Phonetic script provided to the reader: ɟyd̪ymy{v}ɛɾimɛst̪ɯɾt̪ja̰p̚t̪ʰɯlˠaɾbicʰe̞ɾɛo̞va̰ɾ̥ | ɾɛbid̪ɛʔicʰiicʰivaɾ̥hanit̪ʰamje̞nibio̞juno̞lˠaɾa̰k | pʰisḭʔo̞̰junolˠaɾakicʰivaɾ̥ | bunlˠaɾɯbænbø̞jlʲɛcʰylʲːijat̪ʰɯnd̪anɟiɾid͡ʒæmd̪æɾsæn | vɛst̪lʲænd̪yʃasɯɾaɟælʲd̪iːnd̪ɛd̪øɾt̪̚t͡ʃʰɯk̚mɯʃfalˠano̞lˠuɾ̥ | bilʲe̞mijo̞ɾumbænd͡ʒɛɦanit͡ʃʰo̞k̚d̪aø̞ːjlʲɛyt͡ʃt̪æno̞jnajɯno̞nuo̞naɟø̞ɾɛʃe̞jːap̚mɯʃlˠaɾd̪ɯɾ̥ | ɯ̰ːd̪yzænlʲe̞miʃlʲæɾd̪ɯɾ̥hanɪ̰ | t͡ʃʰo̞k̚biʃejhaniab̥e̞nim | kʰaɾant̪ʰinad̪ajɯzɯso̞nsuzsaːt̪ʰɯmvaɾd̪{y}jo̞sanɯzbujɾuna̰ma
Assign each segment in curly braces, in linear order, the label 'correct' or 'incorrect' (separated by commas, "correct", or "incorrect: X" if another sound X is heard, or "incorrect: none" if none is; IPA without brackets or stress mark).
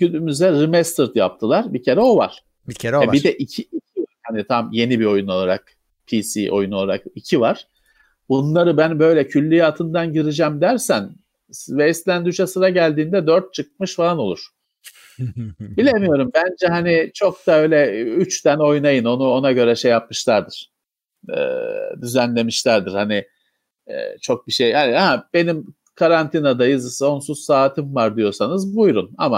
incorrect: z, incorrect: i